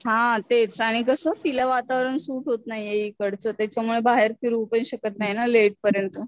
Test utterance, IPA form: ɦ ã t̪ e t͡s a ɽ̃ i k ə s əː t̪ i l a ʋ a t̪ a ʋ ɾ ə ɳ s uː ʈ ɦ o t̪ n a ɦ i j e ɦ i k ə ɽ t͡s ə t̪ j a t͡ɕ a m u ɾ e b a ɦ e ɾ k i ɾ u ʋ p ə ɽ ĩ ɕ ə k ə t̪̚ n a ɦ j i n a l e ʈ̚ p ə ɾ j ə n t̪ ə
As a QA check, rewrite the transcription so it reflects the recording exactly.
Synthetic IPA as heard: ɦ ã t̪ e t͡s a ɽ̃ i k ə s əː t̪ i l a ʋ a t̪ a ʋ ɾ ə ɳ s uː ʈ ɦ o t̪ n a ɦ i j e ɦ i k ə ɽ t͡s ə t̪ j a t͡ɕ a m u ɭ e b a ɦ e ɾ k i ɾ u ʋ p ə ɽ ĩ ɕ ə k ə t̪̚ n a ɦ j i n a l e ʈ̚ p ə ɾ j ə n t̪ ə

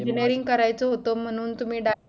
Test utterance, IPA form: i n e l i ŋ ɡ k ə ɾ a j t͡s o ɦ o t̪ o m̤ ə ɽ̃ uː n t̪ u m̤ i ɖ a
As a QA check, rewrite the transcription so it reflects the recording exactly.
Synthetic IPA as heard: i n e ɾ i ŋ ɡ k ə ɾ a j t͡s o ɦ o t̪ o m̤ ə ɽ̃ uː n t̪ u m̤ iː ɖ a

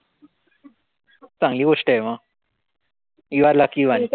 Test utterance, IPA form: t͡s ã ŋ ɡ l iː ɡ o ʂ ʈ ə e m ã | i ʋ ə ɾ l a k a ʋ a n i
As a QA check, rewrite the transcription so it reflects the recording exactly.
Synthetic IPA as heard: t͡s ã ŋ ɡ l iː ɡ o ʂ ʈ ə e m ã | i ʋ a ɾ l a k i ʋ a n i

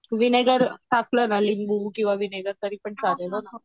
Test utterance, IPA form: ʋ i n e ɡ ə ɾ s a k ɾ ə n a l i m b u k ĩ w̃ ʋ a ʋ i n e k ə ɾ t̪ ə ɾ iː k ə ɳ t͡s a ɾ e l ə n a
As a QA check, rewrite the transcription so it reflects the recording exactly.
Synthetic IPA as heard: ʋ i n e ɡ ə ɾ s a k l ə n a l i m b u k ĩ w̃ ʋ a ʋ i n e ɡ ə ɾ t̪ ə ɾ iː p ə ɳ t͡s a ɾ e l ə n a

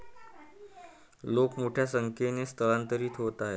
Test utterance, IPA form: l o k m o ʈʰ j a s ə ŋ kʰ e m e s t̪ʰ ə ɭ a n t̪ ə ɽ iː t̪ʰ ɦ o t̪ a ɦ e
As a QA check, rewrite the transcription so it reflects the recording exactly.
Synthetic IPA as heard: l o k m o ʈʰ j a s ə ŋ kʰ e n e s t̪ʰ ə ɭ a n t̪ ə ɾ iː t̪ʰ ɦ o t̪ a ɦ e

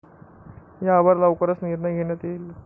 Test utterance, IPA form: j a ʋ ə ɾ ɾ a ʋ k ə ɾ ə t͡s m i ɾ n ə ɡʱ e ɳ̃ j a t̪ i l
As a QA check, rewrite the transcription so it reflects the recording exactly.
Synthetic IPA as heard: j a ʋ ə ɾ l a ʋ k ə ɾ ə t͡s n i ɾ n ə ɡʱ e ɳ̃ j a t̪ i l

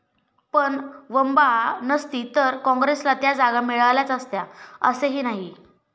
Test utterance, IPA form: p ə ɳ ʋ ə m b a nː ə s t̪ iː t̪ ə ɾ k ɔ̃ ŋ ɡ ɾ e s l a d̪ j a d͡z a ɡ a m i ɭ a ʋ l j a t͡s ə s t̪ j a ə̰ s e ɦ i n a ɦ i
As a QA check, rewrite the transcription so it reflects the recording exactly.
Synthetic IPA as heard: p ə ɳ ʋ ə m b a n ə s t̪ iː t̪ ə ɾ k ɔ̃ ŋ ɡ ɾ e s l a t̪ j a d͡z a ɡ a m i ɭ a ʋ l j a t͡s ə s t̪ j a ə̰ s e ɦ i n a ɦ i

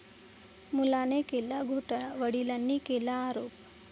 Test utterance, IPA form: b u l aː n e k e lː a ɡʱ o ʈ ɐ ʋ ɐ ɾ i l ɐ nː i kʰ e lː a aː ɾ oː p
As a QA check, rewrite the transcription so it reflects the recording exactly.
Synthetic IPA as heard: m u l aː n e k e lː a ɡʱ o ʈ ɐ ʋ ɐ ɽ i l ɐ nː i k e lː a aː ɾ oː p

